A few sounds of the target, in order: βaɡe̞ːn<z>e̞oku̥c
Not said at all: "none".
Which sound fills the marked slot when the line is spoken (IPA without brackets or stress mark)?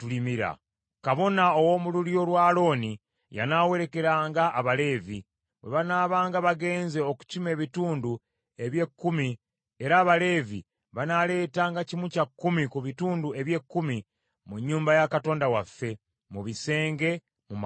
z